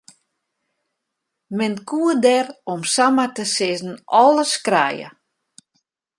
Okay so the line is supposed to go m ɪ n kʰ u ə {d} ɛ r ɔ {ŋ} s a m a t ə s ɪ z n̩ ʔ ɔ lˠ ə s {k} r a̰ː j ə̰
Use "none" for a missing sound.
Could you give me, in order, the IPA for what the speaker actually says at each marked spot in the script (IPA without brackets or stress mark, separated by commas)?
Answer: d, m, k